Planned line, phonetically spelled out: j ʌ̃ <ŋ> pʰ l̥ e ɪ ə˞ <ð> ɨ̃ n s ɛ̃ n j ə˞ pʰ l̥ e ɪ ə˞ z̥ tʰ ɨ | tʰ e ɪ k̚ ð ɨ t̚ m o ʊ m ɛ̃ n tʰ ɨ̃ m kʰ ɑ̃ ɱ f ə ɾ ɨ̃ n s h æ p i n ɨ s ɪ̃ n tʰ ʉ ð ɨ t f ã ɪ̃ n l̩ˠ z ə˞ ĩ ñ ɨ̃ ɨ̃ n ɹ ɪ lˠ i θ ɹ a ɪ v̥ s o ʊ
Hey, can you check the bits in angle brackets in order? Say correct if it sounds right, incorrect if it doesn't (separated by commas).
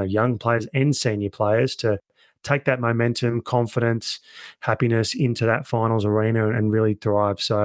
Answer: correct, incorrect